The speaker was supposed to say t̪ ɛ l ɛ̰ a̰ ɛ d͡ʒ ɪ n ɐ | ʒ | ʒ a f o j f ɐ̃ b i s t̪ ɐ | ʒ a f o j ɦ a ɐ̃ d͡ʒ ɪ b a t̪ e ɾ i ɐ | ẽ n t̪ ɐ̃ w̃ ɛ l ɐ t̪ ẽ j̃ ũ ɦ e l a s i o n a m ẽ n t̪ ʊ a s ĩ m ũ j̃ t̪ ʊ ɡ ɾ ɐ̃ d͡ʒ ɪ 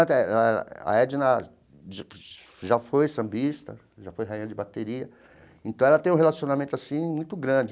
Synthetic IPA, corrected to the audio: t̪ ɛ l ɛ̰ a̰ ɛ d͡ʒ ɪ n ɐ | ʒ | ʒ a f o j s ɐ̃ b i s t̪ ɐ | ʒ a f o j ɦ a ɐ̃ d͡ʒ ɪ b a t̪ e ɾ i ɐ | ẽ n t̪ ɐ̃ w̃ ɛ l ɐ t̪ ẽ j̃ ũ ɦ e l a s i o n a m ẽ n t̪ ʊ a s ĩ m ũ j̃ t̪ ʊ ɡ ɾ ɐ̃ d͡ʒ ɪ